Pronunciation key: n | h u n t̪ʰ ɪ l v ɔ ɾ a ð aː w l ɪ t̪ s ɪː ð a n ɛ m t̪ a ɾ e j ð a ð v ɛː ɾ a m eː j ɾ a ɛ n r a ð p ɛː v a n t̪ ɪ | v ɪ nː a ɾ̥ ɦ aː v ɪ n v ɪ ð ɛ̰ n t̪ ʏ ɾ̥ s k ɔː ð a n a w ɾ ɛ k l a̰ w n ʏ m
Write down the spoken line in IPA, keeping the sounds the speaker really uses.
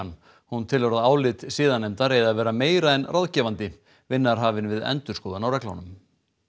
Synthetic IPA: n | h u n t̪ʰ ɪ l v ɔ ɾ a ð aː w l ɪ t̪ s iː ð a n ɛ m t̪ a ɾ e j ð a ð v ɛː ɾ a m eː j ɾ a ɛ n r a ð c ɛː v a n t̪ ɪ | v ɪ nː a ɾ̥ ɦ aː v ɪ n v ɪ ð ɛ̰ n t̪ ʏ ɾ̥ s k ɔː ð a n a w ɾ ɛ k l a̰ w n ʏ m